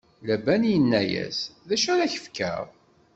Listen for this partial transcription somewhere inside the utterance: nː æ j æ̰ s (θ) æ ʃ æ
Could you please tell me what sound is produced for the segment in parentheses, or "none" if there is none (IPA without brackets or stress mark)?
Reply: ð